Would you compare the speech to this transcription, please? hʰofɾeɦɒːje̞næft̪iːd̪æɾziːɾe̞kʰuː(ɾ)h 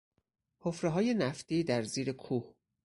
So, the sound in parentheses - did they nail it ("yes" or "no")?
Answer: no